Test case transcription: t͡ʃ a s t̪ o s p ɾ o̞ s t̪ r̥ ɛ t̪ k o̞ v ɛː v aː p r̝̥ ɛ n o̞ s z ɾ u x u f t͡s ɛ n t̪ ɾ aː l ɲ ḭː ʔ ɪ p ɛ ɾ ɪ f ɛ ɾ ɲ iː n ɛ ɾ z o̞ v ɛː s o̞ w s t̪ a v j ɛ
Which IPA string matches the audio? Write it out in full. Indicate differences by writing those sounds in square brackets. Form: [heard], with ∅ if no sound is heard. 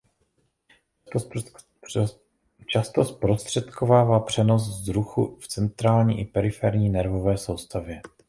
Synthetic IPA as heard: t͡ʃ a s t̪ o s p ɾ o̞ s t̪ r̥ ɛ t̪ k o̞ v [aː] v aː p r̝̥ ɛ n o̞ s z ɾ u x u f t͡s ɛ n t̪ ɾ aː l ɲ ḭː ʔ ɪ p ɛ ɾ ɪ f ɛ ɾ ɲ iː n ɛ ɾ [v] o̞ v ɛː s o̞ w s t̪ a v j ɛ